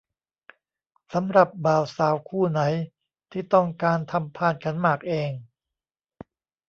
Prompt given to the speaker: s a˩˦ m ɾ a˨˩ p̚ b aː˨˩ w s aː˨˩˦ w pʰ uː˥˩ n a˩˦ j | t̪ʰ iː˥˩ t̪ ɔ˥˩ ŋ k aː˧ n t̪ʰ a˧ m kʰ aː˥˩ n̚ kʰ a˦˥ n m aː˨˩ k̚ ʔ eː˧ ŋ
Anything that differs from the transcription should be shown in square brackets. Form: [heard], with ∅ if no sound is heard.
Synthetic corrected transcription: s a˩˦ m ɾ a˨˩ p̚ b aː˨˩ w s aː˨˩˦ w [kʰ] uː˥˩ n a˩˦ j | t̪ʰ iː˥˩ t̪ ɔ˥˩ ŋ k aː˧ n t̪ʰ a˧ m [pʰ] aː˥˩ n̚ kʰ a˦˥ n m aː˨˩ k̚ ʔ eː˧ ŋ